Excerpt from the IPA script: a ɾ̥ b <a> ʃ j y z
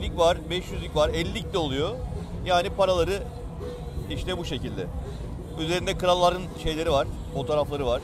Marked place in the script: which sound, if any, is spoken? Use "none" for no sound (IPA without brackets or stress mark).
ɛ